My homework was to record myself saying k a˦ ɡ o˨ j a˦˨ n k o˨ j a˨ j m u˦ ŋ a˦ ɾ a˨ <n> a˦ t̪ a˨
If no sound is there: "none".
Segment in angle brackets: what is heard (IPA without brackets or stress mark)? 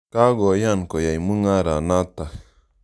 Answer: n